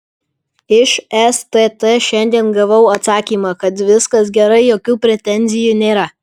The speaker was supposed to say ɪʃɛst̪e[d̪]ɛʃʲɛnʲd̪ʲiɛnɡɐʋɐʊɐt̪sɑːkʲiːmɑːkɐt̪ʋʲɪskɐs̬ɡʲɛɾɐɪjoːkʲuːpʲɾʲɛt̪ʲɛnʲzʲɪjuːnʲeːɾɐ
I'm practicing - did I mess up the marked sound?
yes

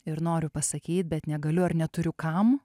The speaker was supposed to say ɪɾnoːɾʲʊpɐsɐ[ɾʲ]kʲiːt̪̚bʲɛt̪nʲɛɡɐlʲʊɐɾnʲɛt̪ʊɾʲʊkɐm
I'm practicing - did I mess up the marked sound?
yes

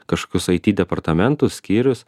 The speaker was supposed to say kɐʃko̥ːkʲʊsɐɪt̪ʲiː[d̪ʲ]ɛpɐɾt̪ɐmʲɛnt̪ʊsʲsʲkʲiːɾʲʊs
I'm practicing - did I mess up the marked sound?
no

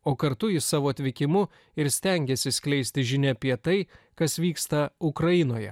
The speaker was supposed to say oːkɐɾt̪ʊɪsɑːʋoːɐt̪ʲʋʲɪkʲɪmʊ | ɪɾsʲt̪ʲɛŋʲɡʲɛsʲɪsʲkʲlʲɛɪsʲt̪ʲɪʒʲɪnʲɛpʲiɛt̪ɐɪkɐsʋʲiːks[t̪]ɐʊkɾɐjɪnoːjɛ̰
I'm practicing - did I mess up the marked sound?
no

